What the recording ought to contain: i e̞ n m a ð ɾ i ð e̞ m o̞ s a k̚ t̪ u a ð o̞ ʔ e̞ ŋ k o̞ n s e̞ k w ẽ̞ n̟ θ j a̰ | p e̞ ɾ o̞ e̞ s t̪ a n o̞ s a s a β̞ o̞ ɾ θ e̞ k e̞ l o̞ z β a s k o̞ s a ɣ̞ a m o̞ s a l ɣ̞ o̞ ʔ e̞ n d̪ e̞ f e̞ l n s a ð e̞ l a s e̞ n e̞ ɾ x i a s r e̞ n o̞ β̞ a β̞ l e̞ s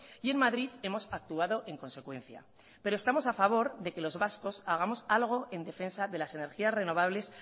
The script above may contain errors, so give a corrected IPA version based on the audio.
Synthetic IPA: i e̞ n m a ð ɾ i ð e̞ m o̞ s a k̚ t̪ u a ð o̞ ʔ e̞ ŋ k o̞ n s e̞ k w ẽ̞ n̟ θ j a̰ | p e̞ ɾ o̞ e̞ s t̪ a m o̞ s a f a β̞ o̞ ɾ ð e̞ k e̞ l o̞ z β a s k o̞ s a ɣ̞ a m o̞ s a l ɣ̞ o̞ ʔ e̞ n d̪ e̞ f e̞ n s a ð e̞ l a s e̞ n e̞ ɾ x i a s r e̞ n o̞ β̞ a β̞ l e̞ s

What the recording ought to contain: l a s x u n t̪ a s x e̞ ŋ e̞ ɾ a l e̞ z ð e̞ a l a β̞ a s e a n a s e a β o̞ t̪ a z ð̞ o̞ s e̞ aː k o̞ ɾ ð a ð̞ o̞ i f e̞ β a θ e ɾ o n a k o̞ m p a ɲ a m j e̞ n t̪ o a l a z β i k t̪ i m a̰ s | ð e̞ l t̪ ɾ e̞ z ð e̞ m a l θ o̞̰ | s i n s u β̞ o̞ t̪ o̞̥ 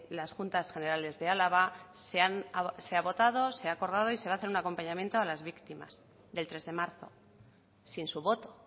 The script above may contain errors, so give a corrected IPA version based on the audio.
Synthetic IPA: l a s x u n t̪ a s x e̞ n e̞ ɾ a l e̞ z ð e̞ a l a β̞ a s e a n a s e a β o̞ t̪ a ð̞ o̞ s e̞ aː k o̞ ɾ ð a ð̞ o̞ i s e̞ β a θ e ɾ u n a k o̞ m p a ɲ a m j e̞ n t̪ o a l a z β i k t̪ i m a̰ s | ð e̞ l t̪ ɾ e̞ z ð e̞ m a ɾ θ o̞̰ | s i n s u β̞ o̞ t̪ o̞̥

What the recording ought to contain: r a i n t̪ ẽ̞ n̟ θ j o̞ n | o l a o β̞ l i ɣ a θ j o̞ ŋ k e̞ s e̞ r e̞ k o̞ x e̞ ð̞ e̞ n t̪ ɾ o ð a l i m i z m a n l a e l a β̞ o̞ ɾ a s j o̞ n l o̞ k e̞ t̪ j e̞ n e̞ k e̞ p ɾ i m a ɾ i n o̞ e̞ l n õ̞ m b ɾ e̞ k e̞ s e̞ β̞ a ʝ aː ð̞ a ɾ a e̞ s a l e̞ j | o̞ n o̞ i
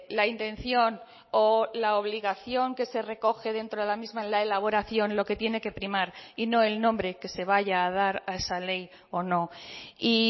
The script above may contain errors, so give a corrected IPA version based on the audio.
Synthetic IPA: l a i n t̪ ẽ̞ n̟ θ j o̞ n | o l a o β̞ l i ɣ a θ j o̞ ŋ k e̞ s e̞ r e̞ k o̞ x e̞ ð̞ e̞ n t̪ ɾ o ð e l a m i z m a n l a e l a β̞ o̞ ɾ a θ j o̞ n l o̞ k e̞ t̪ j e̞ n e̞ k e̞ p ɾ i m a ɾ i n o̞ e̞ l n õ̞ m b ɾ e̞ k e̞ s e̞ β̞ a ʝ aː ð̞ a ɾ a e̞ s a l e̞ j | o̞ n o̞ i

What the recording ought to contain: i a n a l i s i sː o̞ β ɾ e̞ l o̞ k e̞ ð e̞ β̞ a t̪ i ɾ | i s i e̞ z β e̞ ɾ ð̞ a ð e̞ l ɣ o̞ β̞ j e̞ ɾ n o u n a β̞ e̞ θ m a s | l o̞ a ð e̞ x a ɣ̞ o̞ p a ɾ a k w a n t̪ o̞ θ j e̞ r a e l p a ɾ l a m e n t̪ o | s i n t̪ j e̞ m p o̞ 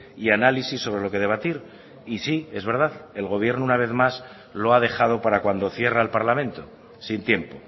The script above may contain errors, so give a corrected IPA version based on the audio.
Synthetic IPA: i a n a l i s i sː o̞ β ɾ e̞ l o̞ k e̞ ð e̞ β̞ a t̪ i ɾ | i s i e̞ z β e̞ ɾ ð̞ a ð e̞ l ɣ o̞ β̞ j e̞ ɾ n o u n a β̞ e̞ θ m a s | l o̞ a ð e̞ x a ð̞ o̞ p a ɾ a k w a n d̪ o̞ θ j e̞ r a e l p a ɾ l a m ẽ n t̪ o | s i n t̪ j e̞ m p o̞

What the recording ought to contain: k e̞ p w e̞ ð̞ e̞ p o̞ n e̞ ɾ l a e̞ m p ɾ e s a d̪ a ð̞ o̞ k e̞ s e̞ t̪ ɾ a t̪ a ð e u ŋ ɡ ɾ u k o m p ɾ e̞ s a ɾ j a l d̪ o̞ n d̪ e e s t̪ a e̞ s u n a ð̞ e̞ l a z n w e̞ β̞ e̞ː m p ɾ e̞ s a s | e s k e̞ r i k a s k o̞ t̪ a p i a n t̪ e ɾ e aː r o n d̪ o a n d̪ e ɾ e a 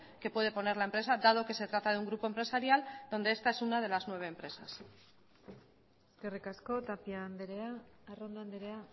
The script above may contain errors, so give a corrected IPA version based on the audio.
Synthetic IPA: k e̞ p w e̞ ð̞ e̞ p o̞ n e̞ ɾ l a e̞ m p ɾ e s a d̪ a ð̞ o̞ k e̞ s e̞ t̪ ɾ a t̪ a ð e u ŋ ɡ ɾ u p o m p ɾ e̞ s a ɾ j a l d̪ o̞ n d̪ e e s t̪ a e̞ s u n a ð̞ e̞ l a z n w e̞ β̞ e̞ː m p ɾ e̞ s a s | e s k e̞ r i k a s k o̞ t̪ a p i a n d̪ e ɾ e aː r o n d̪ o a n d̪ e ɾ e a

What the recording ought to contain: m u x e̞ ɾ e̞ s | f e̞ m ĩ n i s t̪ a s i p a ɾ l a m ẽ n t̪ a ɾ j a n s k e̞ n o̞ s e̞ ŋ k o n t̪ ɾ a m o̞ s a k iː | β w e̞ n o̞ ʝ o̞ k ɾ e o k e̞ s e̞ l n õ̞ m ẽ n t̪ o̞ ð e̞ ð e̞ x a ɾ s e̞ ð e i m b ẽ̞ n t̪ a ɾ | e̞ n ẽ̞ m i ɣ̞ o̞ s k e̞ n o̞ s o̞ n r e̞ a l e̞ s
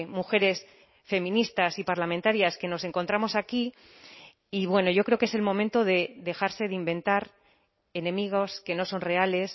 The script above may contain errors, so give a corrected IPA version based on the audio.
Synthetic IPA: m u x e̞ ɾ e̞ s | f e̞ m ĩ n i s t̪ a s i p a ɾ l a m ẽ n t̪ a ɾ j a s k e̞ n o̞ s e̞ ŋ k o n t̪ ɾ a m o̞ s a k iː | β w e̞ n o̞ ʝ o̞ k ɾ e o k e̞ s e̞ l m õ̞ m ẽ n t̪ o̞ ð e̞ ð e̞ x a ɾ s e̞ ð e i m b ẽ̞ n t̪ a ɾ | e̞ n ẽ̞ m i ɣ̞ o̞ s k e̞ n o̞ s o̞ n r e̞ a l e̞ s

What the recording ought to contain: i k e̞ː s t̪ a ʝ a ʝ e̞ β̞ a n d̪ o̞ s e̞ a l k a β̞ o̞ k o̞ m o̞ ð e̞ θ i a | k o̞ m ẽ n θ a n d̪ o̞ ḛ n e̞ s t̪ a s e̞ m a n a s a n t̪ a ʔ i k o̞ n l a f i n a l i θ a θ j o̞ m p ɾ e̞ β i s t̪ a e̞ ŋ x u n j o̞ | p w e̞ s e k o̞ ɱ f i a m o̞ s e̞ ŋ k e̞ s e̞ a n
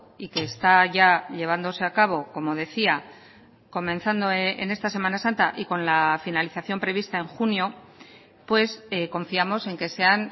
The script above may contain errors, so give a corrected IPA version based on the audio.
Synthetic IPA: i k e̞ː s t̪ a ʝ a ʎ e̞ β̞ a n d̪ o̞ s e̞ a k a β̞ o̞ k o̞ m o̞ ð e̞ θ i a | k o̞ m ẽ n θ a n d̪ o̞ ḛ n e̞ s t̪ a s e̞ m a n a s a n t̪ a ʔ i k o̞ n l a f i n a l i θ a θ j o̞ m p ɾ e̞ β i s t̪ a e̞ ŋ x u n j o̞ | p w e̞ s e k o̞ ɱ f i a m o̞ s e̞ ŋ k e̞ s e̞ a n

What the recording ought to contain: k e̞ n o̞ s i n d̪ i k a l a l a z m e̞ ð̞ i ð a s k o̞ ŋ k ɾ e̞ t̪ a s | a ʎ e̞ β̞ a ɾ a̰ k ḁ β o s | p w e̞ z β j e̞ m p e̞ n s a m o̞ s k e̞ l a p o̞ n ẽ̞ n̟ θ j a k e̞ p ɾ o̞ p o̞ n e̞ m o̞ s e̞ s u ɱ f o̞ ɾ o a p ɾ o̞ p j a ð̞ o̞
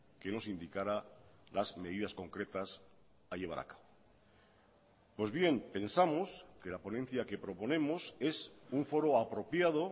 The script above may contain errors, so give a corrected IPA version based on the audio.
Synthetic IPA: k e̞ n o̞ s i n d̪ i k a ɾ a l a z m e̞ ð̞ i ð a s k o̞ ŋ k ɾ e̞ t̪ a s | a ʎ e̞ β̞ a ɾ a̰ k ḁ β o | p w e̞ z β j e̞ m p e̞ n s a m o̞ s k e̞ l a p o̞ n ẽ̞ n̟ θ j a k e̞ p ɾ o̞ p o̞ n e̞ m o̞ s e̞ s u ɱ f o̞ ɾ o a p ɾ o̞ p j a ð̞ o̞

